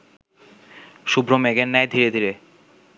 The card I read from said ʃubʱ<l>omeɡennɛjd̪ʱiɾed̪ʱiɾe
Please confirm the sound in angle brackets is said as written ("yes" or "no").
no